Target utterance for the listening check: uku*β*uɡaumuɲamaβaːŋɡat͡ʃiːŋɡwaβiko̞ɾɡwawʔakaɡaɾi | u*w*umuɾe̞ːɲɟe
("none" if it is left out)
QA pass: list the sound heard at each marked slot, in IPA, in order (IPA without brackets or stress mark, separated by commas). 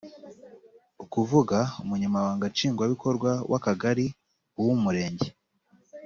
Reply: v, w